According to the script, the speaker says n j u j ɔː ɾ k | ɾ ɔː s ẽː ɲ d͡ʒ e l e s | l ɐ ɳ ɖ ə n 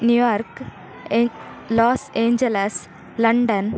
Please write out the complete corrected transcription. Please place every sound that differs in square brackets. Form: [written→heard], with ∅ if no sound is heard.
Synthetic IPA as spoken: n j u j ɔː ɾ k | [ɾ→l] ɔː s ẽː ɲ d͡ʒ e l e s | l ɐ ɳ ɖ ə n

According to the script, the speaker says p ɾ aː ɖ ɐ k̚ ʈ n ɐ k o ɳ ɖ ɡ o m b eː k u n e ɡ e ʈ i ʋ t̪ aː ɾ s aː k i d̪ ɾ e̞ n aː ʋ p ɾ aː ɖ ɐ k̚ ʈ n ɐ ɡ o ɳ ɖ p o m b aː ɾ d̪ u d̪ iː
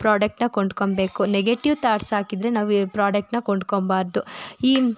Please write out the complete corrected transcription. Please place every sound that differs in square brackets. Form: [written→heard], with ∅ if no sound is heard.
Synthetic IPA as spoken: p ɾ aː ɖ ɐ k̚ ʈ n ɐ k o ɳ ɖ [ɡ→k] o m b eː k u n e ɡ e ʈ i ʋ t̪ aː ɾ s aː k i d̪ ɾ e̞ n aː ʋ p ɾ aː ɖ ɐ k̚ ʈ n ɐ [ɡ→k] o ɳ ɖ [p→k] o m b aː ɾ d̪ u [d̪→∅] iː

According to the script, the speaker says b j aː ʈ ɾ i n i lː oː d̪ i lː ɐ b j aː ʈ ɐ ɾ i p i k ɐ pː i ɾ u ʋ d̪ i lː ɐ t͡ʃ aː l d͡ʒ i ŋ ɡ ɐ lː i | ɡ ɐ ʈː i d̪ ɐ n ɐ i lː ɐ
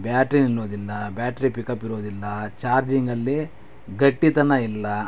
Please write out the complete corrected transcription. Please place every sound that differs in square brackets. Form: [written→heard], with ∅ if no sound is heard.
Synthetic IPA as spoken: b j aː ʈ ɾ i n i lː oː d̪ i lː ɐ b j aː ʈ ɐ ɾ i p i k ɐ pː i ɾ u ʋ d̪ i lː ɐ t͡ʃ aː [l→ɾ] d͡ʒ i ŋ ɡ ɐ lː i | ɡ ɐ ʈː i [d̪→t̪] ɐ n ɐ i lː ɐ

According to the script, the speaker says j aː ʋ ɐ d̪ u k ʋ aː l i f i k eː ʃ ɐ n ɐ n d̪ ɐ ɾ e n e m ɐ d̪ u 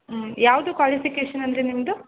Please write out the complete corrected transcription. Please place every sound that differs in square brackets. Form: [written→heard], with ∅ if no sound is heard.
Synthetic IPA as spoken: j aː ʋ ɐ d̪ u k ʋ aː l i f i k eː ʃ ɐ n ɐ n d̪ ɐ ɾ e n [e→i] m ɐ d̪ u

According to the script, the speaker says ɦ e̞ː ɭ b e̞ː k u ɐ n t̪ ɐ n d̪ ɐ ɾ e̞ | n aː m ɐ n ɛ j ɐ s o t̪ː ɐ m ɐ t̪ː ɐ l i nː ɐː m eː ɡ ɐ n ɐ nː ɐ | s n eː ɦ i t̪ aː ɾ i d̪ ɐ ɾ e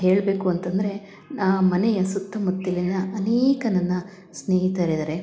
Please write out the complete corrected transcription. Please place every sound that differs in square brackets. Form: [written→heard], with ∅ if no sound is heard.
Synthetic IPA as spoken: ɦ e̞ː ɭ b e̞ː k u ɐ n t̪ ɐ n d̪ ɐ ɾ e̞ | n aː m ɐ n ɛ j ɐ s [o→u] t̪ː ɐ m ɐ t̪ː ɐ l i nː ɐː [m→n] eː [ɡ→k] ɐ n ɐ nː ɐ | s n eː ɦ i t̪ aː ɾ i d̪ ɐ ɾ e

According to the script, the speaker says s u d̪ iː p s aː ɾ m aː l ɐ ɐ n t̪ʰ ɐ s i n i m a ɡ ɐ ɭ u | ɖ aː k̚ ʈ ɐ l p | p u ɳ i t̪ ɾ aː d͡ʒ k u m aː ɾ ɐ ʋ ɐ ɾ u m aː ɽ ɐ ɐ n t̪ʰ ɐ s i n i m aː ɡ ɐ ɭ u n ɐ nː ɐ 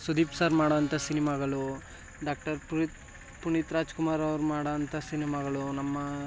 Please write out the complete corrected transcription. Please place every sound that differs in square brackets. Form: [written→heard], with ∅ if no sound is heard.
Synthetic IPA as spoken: s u d̪ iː p s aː ɾ m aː [l→ɽ] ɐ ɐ n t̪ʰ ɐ s i n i m a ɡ ɐ ɭ u | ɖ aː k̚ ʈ ɐ [l→ɾ] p | p u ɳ i t̪ ɾ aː d͡ʒ k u m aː ɾ ɐ ʋ ɐ ɾ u m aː ɽ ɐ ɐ n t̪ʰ ɐ s i n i m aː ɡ ɐ ɭ u n ɐ [nː→mː] ɐ

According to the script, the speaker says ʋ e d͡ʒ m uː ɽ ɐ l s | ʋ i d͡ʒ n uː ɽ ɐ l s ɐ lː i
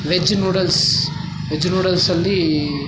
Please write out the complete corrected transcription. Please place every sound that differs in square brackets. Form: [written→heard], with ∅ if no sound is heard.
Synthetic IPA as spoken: ʋ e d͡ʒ [m→n] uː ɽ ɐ l s | ʋ [i→e] d͡ʒ n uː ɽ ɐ l s ɐ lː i

